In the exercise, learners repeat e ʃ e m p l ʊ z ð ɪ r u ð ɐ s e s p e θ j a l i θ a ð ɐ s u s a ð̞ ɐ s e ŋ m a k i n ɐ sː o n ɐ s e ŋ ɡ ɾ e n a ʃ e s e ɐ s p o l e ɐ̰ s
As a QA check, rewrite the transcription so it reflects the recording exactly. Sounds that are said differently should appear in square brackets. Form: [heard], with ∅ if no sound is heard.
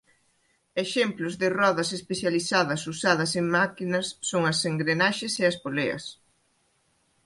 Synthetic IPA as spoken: e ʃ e m p l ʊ z ð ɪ r [ɔ] ð ɐ s e s p e θ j a l i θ a ð ɐ s u s a ð̞ ɐ s e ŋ m a k i n ɐ sː o [ŋ] ɐ s e ŋ ɡ ɾ e n a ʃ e s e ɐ s p o l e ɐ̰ s